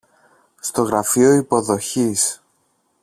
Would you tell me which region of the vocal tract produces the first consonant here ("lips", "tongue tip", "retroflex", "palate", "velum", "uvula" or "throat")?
tongue tip